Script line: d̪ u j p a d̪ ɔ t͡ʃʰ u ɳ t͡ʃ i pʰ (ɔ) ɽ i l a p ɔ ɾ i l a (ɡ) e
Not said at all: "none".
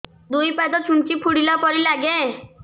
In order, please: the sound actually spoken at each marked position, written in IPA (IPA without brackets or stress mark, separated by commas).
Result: u, ɡ